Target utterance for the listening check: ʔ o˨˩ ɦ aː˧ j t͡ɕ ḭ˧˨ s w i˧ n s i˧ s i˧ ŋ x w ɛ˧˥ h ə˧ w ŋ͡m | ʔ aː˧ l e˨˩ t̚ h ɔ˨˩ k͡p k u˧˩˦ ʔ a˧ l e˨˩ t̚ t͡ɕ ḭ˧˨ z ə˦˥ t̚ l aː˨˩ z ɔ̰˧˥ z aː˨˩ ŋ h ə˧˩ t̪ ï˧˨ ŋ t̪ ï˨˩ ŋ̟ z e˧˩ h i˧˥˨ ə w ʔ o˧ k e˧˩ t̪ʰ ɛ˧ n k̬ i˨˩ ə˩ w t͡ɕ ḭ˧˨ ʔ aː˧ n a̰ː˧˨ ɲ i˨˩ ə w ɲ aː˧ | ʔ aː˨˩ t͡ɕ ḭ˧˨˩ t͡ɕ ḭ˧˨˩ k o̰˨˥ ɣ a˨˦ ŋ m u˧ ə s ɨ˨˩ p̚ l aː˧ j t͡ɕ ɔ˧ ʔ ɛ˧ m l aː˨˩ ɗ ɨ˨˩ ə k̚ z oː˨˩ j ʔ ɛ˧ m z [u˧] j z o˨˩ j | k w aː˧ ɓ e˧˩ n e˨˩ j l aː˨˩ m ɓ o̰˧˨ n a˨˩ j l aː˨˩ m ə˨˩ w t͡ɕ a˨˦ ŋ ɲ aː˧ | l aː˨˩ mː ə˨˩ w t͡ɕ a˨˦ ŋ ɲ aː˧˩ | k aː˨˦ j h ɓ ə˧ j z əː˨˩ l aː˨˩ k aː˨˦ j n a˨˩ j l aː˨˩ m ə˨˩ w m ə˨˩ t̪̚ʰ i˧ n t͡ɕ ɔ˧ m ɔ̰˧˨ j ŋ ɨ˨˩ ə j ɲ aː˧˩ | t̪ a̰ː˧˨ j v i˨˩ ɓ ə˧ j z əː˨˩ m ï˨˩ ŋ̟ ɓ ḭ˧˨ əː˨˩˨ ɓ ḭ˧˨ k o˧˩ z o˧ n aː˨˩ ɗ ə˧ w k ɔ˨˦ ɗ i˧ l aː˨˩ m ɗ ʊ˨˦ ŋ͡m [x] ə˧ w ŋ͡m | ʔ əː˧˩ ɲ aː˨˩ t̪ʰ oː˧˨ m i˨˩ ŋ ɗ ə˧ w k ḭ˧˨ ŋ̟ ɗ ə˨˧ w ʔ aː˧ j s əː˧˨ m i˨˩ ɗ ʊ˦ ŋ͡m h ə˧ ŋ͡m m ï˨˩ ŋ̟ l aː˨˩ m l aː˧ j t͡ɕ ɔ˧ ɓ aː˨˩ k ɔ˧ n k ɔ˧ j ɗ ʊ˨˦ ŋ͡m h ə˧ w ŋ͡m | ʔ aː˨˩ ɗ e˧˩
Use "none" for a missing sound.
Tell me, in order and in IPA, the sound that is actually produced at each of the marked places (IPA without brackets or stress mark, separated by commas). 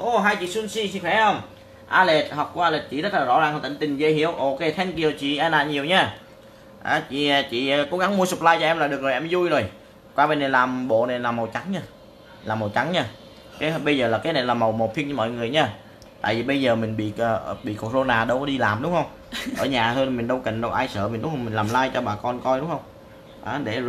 u˧, h